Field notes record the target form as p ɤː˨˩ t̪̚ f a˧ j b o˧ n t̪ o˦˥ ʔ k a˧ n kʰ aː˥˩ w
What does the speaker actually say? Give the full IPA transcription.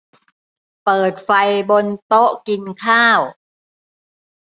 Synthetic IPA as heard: p ɤː˨˩ t̪̚ f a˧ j b o˧ n t̪ o˦˥ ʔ k i˧ n kʰ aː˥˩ w